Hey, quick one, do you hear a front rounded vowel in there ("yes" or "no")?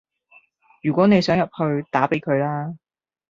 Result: yes